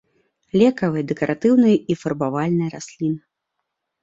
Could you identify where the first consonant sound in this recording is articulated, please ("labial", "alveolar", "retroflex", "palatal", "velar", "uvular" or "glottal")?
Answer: alveolar